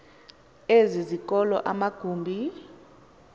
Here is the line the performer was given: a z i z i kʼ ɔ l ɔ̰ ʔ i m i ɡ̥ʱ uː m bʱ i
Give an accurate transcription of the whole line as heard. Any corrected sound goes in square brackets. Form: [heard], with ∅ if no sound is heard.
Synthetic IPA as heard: [e] z i z i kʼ ɔ l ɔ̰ ʔ [a] m [a] ɡ̥ʱ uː m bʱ i